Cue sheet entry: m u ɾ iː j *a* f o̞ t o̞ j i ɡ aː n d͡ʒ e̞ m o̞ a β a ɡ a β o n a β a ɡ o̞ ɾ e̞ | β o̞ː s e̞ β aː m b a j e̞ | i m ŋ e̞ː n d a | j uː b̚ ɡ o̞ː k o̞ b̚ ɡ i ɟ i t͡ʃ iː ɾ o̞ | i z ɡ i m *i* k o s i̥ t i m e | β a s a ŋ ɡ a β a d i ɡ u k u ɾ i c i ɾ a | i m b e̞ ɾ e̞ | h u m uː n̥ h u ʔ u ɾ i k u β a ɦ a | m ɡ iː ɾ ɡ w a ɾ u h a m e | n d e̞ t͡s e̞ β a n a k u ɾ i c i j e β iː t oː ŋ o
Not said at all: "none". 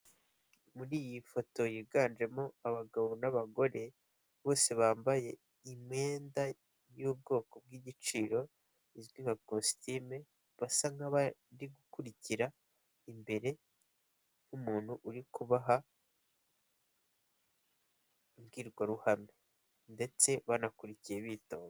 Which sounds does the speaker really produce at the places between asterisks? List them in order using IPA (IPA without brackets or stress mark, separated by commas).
i, a